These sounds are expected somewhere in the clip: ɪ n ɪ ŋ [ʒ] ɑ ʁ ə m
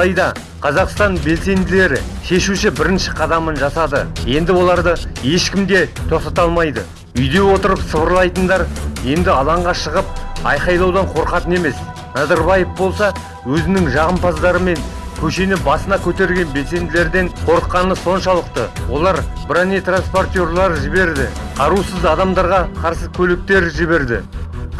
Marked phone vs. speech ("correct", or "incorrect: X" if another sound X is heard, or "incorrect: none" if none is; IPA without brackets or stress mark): correct